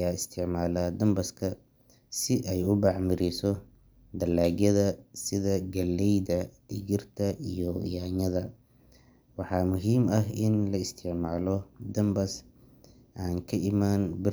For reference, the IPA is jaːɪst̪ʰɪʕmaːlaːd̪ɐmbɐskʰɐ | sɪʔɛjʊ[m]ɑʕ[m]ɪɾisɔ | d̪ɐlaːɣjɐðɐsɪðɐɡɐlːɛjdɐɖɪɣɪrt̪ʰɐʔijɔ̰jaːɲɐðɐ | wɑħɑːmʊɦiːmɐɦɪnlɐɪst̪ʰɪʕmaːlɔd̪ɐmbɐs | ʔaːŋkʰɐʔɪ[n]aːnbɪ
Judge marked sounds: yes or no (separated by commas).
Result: no, yes, no